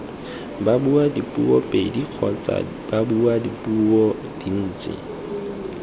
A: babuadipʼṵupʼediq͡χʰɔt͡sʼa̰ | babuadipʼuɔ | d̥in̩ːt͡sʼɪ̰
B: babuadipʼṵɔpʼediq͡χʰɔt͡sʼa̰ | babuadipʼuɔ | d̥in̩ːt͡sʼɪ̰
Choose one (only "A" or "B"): B